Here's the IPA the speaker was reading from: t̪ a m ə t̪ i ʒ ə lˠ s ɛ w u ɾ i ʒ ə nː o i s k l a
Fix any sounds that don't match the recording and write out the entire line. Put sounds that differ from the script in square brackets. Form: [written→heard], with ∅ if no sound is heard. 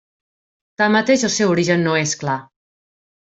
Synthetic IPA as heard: t̪ a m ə t̪ [i→e] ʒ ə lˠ s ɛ w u ɾ i ʒ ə nː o [i→e] s k l a